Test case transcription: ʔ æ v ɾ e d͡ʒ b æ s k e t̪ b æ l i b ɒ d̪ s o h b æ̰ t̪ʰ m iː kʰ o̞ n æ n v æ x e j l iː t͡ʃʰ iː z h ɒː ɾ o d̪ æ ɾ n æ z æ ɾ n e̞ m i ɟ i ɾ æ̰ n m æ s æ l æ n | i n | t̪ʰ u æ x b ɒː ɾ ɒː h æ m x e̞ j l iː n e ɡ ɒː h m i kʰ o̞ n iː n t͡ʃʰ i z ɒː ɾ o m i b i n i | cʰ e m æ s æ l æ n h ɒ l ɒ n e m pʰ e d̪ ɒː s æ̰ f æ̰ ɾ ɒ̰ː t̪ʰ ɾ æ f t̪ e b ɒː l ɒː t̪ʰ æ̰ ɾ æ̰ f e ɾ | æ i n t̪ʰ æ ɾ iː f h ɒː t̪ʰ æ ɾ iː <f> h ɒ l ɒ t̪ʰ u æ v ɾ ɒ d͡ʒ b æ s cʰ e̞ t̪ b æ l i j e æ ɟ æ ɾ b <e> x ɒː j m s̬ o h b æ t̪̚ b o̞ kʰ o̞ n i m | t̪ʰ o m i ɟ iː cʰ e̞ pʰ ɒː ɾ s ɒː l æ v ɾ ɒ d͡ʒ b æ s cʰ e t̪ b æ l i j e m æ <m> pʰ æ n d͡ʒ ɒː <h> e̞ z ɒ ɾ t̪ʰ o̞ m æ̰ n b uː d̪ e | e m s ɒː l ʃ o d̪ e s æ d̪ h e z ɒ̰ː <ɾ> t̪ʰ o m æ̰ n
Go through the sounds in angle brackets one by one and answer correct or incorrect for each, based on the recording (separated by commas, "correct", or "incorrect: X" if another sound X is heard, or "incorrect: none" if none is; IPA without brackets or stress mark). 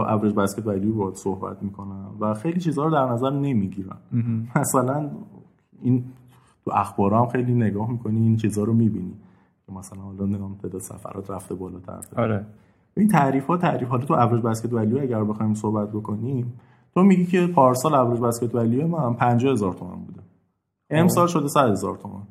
correct, correct, incorrect: n, correct, correct